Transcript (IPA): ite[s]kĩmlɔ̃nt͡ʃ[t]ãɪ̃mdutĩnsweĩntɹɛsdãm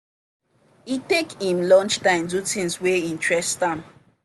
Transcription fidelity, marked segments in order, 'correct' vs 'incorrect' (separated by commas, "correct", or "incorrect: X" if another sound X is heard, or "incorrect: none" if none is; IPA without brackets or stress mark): incorrect: none, correct